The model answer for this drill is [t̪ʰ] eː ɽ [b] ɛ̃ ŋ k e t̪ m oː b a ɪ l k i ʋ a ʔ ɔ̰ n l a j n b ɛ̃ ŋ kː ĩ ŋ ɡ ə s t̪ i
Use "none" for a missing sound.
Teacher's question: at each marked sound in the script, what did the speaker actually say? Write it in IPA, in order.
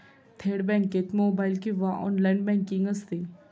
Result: t̪ʰ, b

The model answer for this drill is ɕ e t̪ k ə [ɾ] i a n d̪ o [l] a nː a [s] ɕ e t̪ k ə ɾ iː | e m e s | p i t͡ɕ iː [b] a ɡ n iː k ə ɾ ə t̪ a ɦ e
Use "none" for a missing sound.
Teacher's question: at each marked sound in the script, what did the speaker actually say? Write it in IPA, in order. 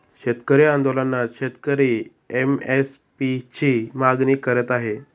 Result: ɾ, l, none, m

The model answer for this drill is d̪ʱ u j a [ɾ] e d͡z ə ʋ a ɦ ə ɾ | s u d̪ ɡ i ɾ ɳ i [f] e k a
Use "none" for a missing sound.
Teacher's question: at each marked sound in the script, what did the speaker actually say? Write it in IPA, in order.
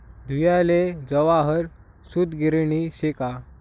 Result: l, ɕ

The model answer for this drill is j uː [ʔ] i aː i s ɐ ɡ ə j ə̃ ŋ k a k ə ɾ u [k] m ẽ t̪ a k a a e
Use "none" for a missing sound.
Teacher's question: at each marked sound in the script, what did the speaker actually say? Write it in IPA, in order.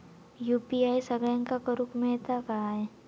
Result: p, k

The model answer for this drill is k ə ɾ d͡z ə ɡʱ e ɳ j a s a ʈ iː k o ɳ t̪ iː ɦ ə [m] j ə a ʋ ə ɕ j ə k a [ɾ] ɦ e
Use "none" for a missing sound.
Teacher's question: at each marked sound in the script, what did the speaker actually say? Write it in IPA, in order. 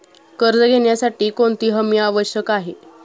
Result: m, none

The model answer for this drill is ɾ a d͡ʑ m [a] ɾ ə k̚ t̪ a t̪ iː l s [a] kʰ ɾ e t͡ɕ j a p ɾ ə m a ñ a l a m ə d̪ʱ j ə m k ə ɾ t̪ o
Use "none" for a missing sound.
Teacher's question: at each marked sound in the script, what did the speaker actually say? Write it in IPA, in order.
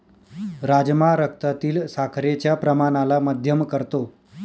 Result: a, a

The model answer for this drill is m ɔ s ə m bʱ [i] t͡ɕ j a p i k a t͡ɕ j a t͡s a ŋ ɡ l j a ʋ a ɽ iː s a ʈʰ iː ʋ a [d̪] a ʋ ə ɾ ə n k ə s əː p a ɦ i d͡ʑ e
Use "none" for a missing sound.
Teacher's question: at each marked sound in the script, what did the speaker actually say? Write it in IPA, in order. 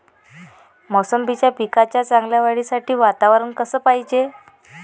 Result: i, t̪

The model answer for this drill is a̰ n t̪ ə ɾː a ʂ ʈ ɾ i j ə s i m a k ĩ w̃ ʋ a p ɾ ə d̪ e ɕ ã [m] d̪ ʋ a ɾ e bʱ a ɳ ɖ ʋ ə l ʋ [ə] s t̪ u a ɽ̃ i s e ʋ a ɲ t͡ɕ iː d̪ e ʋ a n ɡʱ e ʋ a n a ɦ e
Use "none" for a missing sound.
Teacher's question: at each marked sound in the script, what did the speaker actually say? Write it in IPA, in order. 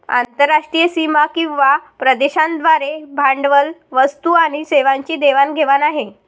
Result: n, ə

